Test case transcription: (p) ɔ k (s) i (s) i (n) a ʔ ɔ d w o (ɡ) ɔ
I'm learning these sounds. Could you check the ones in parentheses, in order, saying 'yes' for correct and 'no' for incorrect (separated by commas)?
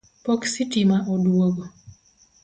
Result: yes, yes, no, no, yes